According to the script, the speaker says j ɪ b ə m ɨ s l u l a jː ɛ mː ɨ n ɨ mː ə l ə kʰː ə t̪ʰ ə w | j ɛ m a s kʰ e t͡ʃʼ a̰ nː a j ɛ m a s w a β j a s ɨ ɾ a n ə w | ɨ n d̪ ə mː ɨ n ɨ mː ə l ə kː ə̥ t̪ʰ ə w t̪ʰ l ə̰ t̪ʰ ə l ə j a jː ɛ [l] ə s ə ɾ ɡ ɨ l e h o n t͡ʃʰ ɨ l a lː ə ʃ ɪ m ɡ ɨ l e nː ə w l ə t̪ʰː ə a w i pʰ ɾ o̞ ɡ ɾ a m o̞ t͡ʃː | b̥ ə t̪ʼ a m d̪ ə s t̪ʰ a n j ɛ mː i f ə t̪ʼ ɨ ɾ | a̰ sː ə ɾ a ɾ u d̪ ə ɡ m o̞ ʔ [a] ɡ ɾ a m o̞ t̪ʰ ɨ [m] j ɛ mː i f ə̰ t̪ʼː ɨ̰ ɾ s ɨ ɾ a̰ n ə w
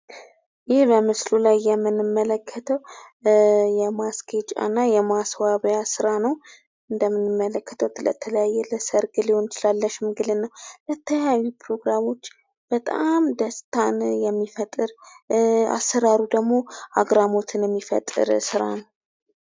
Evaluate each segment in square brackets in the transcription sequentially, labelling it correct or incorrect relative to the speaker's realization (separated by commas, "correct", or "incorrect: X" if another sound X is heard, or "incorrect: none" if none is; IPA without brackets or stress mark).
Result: correct, correct, incorrect: n